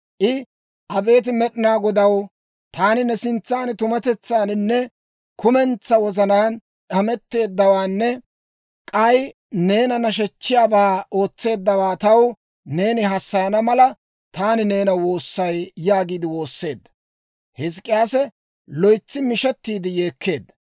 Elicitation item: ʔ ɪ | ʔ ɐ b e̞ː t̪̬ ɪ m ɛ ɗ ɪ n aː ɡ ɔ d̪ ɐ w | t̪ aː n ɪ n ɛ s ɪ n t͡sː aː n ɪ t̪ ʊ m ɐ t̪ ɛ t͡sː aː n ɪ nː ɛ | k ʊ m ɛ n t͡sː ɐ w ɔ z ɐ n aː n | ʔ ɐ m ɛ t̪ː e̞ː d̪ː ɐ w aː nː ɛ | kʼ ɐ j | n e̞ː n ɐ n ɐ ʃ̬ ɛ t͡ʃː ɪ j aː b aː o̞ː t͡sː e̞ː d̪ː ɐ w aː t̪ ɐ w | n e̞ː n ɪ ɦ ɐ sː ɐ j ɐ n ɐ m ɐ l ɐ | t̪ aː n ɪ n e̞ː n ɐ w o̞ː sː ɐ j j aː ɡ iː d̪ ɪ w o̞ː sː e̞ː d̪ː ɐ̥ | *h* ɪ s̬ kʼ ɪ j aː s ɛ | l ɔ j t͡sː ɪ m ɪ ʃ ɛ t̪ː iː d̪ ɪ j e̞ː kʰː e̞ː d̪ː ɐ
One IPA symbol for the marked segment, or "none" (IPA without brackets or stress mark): h